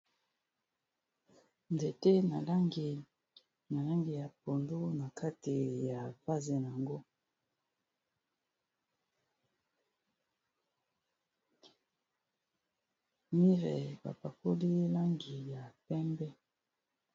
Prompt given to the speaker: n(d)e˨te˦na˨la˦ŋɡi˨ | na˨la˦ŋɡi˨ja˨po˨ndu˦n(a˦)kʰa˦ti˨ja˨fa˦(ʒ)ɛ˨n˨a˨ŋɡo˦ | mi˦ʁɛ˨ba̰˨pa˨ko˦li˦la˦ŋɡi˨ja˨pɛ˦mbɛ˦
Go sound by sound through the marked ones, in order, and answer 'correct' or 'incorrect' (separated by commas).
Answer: correct, incorrect, incorrect